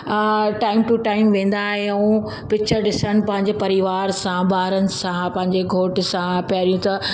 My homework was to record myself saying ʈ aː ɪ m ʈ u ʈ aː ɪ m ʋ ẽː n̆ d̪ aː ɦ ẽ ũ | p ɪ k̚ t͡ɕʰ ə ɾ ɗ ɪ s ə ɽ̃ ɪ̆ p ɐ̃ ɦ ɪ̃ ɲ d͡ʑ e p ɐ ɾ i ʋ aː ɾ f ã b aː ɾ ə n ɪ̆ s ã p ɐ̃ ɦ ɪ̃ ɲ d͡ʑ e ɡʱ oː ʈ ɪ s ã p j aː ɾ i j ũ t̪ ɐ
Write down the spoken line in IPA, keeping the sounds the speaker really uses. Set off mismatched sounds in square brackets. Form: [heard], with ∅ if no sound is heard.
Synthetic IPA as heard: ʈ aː ɪ m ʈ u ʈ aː ɪ m ʋ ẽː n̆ d̪ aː ɦ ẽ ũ | p ɪ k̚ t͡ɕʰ ə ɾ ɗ ɪ s ə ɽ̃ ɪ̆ p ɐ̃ ɦ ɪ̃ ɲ d͡ʑ e p ɐ ɾ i ʋ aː ɾ [s] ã b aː ɾ ə n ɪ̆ s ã p ɐ̃ ɦ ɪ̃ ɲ d͡ʑ e ɡʱ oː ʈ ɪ s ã p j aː ɾ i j ũ t̪ ɐ